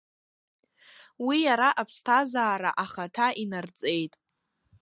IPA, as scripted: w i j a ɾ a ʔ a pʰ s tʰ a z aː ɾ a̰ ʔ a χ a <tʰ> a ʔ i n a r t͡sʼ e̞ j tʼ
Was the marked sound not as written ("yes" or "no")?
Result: no